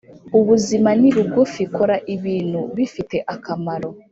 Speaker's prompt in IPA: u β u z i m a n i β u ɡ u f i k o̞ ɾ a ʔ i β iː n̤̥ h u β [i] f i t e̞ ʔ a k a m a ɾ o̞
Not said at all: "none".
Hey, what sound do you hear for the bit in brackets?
i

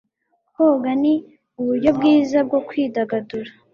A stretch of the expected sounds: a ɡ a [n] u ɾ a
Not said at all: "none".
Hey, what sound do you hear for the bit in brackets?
d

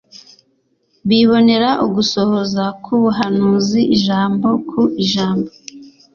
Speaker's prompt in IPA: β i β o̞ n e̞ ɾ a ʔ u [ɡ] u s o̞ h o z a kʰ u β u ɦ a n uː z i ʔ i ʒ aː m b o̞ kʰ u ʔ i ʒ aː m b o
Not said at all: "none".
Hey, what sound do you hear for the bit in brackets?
ɡ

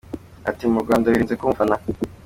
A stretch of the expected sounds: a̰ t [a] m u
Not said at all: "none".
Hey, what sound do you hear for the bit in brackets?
i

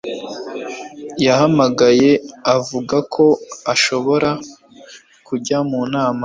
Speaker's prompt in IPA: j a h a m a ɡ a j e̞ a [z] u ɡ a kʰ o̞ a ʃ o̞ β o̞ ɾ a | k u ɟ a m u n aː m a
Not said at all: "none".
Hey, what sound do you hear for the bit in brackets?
v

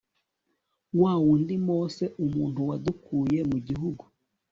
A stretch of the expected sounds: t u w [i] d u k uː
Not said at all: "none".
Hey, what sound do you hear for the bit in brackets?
a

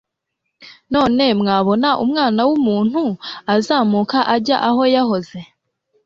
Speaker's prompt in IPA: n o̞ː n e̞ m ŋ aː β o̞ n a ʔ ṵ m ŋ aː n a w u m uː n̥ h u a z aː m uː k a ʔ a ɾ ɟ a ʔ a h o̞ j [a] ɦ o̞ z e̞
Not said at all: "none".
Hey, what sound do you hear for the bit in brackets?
a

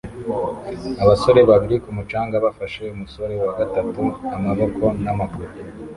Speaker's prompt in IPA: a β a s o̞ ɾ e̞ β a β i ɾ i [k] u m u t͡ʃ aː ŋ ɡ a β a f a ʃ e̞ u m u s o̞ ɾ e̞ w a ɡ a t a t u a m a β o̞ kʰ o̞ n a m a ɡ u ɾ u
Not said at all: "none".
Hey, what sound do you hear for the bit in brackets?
k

